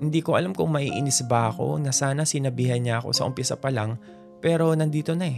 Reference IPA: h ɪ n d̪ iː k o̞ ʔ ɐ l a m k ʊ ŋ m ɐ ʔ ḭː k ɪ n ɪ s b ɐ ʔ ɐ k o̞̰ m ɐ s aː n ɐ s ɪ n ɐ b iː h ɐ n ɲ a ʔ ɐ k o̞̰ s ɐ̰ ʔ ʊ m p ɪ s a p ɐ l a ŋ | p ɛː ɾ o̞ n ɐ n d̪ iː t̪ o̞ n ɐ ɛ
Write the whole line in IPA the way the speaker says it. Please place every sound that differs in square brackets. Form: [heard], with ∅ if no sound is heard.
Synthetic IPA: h ɪ n d̪ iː k o̞ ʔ ɐ l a m k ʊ ŋ m ɐ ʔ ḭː [ʔ] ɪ n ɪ s b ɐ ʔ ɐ k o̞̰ [n] ɐ s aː n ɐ s ɪ n ɐ b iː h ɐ n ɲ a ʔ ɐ k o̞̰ s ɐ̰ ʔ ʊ m p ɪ s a p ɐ l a ŋ | p ɛː ɾ o̞ n ɐ n d̪ iː t̪ o̞ n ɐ ɛ